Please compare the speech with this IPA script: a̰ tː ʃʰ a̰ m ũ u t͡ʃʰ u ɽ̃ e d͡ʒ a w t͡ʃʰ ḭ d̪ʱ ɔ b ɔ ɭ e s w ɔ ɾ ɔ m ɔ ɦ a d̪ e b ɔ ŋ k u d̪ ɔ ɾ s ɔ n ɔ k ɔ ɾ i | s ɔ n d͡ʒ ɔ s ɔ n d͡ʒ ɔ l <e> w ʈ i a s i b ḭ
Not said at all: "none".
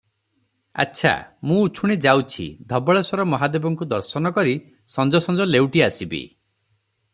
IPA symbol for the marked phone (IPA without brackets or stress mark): e